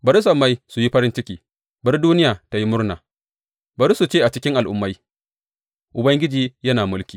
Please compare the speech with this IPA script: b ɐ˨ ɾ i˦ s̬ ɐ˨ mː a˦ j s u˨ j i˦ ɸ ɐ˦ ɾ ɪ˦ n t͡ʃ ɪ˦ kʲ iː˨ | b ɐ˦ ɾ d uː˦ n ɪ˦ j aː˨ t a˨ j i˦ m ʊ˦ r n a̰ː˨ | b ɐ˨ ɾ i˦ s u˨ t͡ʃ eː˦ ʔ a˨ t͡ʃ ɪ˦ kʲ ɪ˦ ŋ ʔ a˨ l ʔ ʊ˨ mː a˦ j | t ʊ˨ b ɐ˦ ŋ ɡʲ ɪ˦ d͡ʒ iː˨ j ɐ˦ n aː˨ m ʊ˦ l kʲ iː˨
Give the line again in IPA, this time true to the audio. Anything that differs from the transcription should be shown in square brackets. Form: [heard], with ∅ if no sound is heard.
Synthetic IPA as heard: b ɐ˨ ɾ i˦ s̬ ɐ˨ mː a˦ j s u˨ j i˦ ɸ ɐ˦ ɾ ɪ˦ n t͡ʃ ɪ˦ kʲ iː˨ | b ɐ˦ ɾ d uː˦ n ɪ˦ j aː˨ t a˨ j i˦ m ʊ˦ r n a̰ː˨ | b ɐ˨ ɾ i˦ s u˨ t͡ʃ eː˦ ʔ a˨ t͡ʃ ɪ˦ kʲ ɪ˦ ŋ ʔ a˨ l ʔ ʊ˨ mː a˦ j | [ʔ] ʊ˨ b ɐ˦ ŋ ɡʲ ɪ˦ d͡ʒ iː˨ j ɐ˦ n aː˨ m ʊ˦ l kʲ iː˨